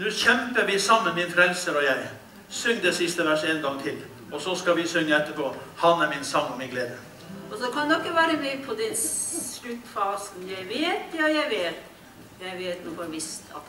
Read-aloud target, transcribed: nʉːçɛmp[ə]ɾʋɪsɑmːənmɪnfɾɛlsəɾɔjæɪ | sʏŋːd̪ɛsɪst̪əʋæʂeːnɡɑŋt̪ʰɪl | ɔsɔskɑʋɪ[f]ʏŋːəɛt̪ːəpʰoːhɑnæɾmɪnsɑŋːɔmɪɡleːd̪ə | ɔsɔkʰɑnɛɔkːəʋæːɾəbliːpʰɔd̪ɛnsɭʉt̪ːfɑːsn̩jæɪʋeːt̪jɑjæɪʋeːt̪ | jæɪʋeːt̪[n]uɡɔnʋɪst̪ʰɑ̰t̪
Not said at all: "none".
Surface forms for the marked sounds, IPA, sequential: ə, s, n

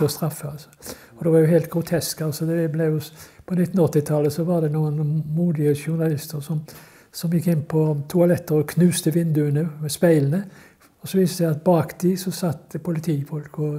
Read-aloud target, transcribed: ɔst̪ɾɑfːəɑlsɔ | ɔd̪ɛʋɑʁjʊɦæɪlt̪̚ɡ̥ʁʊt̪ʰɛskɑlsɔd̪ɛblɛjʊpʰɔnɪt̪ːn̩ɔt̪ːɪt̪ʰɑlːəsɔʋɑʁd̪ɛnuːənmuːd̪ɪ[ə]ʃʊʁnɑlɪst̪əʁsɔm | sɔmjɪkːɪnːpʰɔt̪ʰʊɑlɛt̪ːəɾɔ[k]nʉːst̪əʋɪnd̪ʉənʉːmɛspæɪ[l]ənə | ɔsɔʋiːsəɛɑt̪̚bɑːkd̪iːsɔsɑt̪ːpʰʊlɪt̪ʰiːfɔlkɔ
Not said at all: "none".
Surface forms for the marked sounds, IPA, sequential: ə, kʰ, l

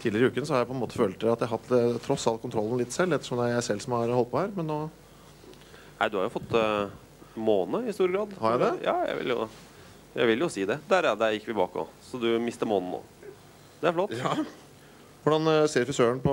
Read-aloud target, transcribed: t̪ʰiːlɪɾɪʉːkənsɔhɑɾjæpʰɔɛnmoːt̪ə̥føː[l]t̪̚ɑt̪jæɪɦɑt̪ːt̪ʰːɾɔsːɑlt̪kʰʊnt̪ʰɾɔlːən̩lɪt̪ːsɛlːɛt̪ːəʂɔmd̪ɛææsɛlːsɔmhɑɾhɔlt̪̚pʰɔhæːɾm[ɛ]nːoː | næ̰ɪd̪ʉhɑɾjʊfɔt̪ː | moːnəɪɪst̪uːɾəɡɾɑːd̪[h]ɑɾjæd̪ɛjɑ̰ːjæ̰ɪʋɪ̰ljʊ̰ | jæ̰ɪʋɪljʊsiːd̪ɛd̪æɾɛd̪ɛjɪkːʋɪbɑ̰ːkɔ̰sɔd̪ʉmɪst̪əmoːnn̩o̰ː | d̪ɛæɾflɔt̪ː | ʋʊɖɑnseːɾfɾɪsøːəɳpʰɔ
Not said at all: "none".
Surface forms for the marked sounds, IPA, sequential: l, ɛ, h

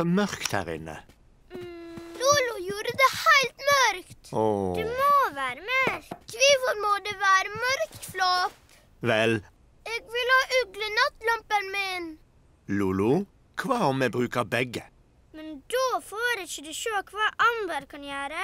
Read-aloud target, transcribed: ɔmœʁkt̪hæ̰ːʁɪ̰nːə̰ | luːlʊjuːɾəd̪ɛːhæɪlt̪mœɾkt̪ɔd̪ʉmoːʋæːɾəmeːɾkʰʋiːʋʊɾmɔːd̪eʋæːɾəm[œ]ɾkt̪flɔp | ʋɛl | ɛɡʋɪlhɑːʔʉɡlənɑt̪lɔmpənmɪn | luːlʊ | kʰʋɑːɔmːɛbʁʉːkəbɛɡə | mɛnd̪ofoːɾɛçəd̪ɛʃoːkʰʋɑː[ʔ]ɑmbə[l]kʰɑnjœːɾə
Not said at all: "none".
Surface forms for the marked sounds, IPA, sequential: œ, ʔ, ɾ

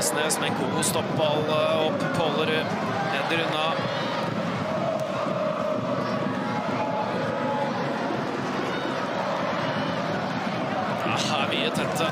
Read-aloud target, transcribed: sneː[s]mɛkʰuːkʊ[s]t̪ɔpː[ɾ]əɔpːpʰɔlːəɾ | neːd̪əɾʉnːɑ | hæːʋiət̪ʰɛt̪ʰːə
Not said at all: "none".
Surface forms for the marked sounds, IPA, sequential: s, s, l

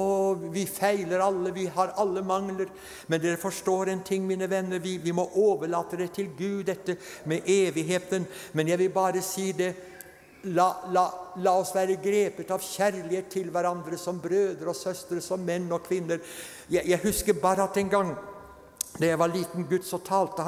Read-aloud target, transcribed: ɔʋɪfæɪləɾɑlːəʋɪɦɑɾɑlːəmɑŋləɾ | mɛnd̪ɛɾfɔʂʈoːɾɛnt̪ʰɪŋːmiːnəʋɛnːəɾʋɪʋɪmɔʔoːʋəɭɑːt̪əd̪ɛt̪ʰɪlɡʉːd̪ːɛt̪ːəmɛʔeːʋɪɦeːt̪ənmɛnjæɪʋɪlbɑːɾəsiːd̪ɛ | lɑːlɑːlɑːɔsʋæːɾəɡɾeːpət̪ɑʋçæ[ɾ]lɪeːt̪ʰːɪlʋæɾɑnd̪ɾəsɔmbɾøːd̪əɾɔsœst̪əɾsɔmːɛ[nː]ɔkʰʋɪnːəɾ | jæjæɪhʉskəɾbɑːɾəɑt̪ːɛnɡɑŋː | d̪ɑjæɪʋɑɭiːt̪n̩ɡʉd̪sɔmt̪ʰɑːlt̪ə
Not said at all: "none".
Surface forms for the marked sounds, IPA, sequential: ɾ, nː

